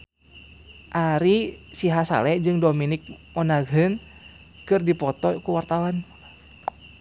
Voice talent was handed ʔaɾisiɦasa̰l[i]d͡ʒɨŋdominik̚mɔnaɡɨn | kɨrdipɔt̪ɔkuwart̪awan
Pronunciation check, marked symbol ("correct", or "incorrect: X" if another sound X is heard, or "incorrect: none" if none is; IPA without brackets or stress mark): incorrect: ɛ